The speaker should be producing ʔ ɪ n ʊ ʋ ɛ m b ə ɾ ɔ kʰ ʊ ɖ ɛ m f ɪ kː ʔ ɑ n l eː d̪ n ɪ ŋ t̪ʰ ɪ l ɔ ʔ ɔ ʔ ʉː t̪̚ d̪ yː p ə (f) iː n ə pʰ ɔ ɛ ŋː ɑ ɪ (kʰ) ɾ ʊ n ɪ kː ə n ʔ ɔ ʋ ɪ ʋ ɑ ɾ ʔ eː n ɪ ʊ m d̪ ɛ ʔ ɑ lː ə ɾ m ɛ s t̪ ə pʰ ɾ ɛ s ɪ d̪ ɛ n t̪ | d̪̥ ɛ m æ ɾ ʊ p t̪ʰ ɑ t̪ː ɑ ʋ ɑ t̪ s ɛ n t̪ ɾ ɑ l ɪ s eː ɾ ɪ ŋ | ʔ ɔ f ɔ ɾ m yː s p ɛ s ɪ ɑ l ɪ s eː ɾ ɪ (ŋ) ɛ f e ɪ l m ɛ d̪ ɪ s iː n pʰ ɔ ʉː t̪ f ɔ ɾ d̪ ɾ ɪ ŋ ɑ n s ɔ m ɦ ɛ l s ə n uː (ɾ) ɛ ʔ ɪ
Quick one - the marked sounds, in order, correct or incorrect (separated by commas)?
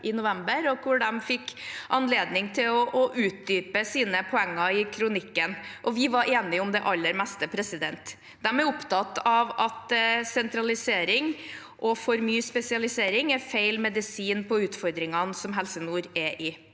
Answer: incorrect, correct, correct, correct